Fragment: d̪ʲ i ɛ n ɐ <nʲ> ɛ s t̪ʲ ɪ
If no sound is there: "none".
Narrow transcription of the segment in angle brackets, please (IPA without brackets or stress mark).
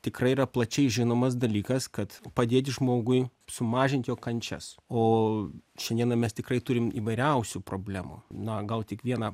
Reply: mʲ